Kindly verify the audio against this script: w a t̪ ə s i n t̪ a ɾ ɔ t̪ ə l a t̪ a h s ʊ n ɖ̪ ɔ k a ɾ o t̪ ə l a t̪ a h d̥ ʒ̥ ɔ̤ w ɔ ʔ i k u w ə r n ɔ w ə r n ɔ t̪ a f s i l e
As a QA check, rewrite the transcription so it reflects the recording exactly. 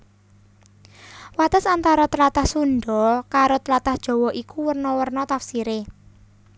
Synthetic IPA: w a t̪ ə s a n t̪ a ɾ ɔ t̪ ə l a t̪ a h s u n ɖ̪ ɔ k a ɾ o t̪ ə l a t̪ a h d̥ ʒ̥ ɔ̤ w ɔ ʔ i k u w ə r n ɔ w ə r n ɔ t̪ a f s i ɾ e